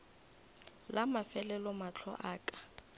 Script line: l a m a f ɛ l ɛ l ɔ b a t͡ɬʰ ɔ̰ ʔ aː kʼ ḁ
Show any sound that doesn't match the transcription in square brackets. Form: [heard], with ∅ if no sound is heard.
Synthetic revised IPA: l a m a f ɛ l ɛ l ɔ [m] a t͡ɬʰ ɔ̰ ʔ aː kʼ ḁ